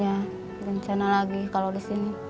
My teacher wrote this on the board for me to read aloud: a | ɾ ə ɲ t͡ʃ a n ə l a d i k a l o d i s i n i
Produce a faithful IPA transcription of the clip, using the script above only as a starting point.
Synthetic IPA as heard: a | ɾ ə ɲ t͡ʃ a n a l a ɡ i k a l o d i s i n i